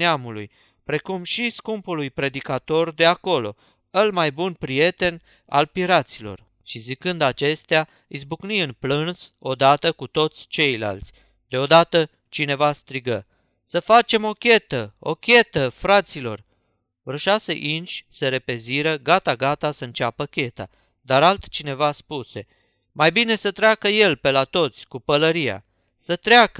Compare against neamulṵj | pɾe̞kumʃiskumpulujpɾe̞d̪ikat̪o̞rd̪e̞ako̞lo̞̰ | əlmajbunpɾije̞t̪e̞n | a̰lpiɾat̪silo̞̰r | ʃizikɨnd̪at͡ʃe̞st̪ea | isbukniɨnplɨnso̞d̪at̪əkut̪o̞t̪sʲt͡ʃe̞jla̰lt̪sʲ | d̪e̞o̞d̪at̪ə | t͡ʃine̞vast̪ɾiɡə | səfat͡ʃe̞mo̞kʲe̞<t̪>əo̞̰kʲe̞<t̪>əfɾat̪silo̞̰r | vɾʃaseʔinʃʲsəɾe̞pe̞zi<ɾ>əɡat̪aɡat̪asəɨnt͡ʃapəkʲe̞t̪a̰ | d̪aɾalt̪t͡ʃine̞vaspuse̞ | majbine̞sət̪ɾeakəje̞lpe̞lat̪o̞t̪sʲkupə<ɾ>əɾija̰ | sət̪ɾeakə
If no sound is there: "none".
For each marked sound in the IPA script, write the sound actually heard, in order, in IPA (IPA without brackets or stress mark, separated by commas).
t̪, t̪, ɾ, l